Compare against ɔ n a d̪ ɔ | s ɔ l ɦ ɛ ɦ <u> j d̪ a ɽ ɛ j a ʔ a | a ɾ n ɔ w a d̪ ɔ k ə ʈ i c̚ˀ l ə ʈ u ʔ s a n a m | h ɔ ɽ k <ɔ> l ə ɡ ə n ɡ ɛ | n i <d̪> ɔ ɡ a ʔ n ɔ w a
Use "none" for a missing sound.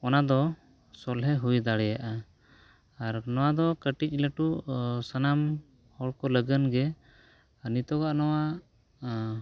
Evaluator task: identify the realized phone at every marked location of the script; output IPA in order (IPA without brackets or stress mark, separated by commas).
u, ɔ, t̪